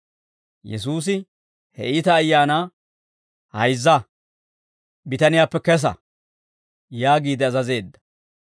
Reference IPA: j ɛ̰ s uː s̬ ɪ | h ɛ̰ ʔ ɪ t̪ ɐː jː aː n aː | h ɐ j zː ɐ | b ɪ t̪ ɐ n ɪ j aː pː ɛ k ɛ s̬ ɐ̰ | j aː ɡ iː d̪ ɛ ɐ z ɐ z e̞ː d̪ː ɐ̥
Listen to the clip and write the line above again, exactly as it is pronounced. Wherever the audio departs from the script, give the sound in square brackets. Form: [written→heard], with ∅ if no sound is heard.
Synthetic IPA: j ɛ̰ s uː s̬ ɪ | h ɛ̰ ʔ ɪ t̪ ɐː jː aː n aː | h ɐ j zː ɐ | b ɪ t̪ ɐ n ɪ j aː pː ɛ k ɛ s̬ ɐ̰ | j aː ɡ iː d̪ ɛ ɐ z ɐ z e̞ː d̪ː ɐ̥